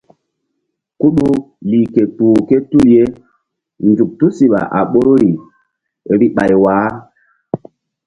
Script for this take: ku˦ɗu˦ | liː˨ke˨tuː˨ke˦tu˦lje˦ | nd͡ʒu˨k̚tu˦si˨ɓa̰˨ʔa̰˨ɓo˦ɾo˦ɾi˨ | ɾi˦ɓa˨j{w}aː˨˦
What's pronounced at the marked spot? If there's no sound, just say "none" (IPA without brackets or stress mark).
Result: w